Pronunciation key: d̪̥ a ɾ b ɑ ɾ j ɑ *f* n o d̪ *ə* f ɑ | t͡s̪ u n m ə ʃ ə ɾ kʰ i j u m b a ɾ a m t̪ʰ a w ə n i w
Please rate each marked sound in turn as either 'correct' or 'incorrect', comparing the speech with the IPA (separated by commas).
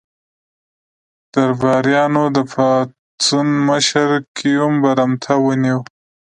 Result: incorrect, correct